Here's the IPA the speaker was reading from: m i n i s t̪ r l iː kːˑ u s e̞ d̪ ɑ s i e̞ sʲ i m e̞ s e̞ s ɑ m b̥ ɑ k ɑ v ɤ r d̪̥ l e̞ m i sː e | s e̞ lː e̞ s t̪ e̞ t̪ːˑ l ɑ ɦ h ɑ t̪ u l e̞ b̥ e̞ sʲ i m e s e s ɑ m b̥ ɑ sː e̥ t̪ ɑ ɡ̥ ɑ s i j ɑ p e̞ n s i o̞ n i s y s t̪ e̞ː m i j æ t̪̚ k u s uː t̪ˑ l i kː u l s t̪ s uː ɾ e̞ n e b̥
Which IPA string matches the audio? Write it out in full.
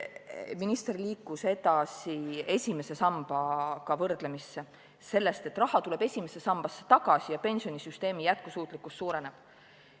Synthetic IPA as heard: m i n i s t̪ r l iː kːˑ u s e̞ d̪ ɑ s i e̞ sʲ i m e̞ s e̞ s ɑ m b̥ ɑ k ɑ v ɤ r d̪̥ l e̞ m i sː e | s e̞ lː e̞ s t̪ e̞ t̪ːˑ r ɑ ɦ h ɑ t̪ u l e̞ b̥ e̞ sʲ i m e s e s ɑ m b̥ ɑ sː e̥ t̪ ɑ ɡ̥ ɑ s i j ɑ p e̞ n s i o̞ n i s y s t̪ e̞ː m i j æ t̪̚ k u s uː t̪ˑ l i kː u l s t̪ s uː ɾ e̞ n e b̥